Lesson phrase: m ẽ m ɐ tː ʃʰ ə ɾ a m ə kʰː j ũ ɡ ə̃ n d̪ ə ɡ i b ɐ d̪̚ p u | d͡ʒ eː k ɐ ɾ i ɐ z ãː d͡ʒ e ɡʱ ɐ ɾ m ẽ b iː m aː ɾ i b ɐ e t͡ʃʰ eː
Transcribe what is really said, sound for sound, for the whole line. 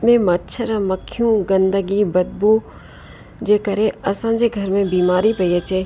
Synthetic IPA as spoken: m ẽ m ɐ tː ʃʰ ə ɾ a m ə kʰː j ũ ɡ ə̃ n d̪ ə ɡ i b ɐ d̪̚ b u | d͡ʒ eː k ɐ ɾ e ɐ s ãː d͡ʒ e ɡʱ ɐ ɾ m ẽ b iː m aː ɾ i p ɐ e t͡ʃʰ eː

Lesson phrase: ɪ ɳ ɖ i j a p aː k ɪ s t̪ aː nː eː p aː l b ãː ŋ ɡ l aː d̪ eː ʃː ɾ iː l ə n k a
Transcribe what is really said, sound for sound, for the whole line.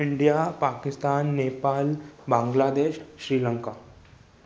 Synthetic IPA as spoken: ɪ ɳ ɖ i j a p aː k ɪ s t̪ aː nː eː p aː l b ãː ŋ ɡ l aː d̪ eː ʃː ɾ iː l ə ŋ k a

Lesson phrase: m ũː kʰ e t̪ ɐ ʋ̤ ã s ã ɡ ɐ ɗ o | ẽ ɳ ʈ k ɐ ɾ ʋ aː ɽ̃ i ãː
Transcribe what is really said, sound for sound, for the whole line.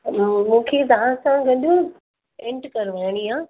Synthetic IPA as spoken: m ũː kʰ e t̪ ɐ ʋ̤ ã s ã ɡ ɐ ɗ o | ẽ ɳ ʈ k ɐ ɾ ʋ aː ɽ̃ i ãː

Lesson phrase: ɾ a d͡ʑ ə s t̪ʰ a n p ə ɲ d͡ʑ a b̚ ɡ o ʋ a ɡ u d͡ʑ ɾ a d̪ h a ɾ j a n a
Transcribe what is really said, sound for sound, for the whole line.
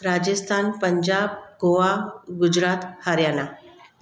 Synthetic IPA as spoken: ɾ a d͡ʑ ə s t̪ʰ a n p ə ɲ d͡ʑ a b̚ ɡ o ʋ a ɡ u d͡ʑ ɾ a t̪ h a ɾ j a n a

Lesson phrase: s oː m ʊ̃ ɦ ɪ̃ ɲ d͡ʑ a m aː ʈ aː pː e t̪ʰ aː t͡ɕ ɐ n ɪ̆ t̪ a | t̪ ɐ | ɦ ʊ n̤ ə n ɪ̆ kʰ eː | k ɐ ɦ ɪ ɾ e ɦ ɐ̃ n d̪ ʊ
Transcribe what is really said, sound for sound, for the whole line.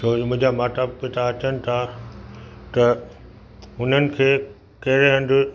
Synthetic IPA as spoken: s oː m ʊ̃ ɦ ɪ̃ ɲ d͡ʑ a m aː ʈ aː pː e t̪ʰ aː t͡ɕ ə n ɪ̆ t̪ʰ a | t̪ ɐ | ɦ ʊ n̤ ə n ɪ̆ kʰ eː | k ɐ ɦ ɪ ɾ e ɦ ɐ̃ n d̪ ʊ

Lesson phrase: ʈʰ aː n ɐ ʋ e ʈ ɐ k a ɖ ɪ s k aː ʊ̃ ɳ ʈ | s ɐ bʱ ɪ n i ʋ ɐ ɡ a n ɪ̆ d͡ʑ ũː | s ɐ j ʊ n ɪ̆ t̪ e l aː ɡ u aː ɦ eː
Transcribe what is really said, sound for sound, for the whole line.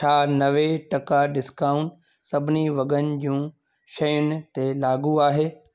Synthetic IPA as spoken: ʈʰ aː n ɐ ʋ e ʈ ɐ k a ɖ ɪ s k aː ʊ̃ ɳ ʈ | s ɐ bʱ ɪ n i ʋ ɐ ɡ ə n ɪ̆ d͡ʑ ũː | ʃ ɐ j ʊ n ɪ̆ t̪ e l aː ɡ u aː ɦ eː

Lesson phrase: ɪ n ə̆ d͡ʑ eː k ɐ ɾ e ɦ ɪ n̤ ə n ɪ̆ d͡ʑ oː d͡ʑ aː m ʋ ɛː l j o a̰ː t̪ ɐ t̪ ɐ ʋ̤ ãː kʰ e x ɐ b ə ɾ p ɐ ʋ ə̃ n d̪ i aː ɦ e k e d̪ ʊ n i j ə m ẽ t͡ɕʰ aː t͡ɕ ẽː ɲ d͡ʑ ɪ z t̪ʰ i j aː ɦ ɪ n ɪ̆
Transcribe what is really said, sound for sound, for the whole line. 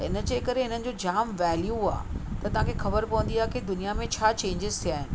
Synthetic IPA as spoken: ɪ n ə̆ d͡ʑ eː k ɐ ɾ e ɦ ɪ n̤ ə n ɪ̆ d͡ʑ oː d͡ʑ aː m ʋ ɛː l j u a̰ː t̪ ɐ t̪ ɐ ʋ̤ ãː kʰ e x ɐ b ə ɾ p ɐ ʋ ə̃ n d̪ i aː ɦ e k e d̪ ʊ n i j a m ẽ t͡ɕʰ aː t͡ɕ ẽː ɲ d͡ʑ ɪ z t̪ʰ i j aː ɦ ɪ n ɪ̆

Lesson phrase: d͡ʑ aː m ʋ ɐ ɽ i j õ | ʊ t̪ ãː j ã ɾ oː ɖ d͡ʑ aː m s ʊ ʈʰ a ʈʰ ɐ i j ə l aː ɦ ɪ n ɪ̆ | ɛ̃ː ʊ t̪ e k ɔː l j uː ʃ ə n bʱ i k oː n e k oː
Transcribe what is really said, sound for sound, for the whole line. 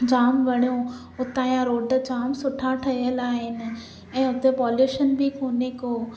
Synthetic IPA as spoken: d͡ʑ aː m ʋ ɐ ɽ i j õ | ʊ t̪ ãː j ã ɾ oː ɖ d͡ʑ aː m s ʊ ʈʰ a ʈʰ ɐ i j ə l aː ɦ ɪ n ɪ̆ | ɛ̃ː ʊ t̪ e p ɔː l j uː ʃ ə n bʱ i k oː n e k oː

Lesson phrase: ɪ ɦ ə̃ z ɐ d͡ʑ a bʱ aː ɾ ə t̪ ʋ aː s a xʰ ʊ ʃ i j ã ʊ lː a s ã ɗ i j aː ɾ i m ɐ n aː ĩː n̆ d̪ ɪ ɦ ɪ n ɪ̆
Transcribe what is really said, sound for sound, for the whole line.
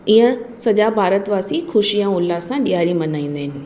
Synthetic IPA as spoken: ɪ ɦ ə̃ s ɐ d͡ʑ a bʱ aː ɾ ə t̪ ʋ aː s i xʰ ʊ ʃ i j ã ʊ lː a s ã ɗ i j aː ɾ i m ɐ n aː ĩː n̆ d̪ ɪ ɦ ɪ n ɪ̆

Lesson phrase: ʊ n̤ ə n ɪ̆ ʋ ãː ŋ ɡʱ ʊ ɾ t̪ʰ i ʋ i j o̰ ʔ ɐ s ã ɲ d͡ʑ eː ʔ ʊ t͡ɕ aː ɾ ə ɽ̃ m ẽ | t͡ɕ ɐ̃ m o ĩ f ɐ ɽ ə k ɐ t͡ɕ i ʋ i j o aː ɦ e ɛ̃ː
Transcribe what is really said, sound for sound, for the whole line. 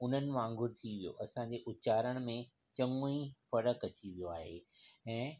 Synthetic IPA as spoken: ʊ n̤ ə n ɪ̆ ʋ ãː ŋ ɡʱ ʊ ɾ t̪ʰ i ʋ i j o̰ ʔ ɐ s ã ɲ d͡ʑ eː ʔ ʊ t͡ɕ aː ɾ ə ɽ̃ m ẽ | t͡ɕ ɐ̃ ŋ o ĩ f ɐ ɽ ə k ɐ t͡ɕ i ʋ i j o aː ɦ e ɛ̃ː

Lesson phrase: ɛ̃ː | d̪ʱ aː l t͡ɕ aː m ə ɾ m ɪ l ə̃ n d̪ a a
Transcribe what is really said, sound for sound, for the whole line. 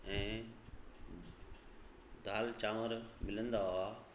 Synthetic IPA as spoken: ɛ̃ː | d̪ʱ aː l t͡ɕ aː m ə ɾ m ɪ l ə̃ n d̪ a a

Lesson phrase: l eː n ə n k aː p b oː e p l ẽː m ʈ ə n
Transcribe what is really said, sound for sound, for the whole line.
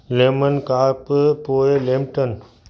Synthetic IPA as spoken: l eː m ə n k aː p p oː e l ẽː m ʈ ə n

